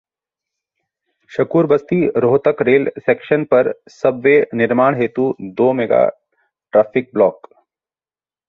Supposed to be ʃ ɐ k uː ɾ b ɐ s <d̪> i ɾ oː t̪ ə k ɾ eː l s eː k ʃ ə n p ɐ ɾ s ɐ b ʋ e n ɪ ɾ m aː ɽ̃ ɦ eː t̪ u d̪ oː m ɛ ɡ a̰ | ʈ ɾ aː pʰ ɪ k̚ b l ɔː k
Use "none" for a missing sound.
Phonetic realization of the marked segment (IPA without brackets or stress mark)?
t̪